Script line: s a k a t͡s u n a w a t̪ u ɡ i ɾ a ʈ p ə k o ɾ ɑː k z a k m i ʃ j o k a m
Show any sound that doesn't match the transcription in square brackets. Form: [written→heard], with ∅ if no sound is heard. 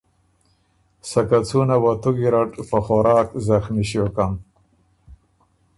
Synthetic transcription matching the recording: s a k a t͡s u n a w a t̪ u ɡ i ɾ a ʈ p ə [k→x] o ɾ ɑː k z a [k→x] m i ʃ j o k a m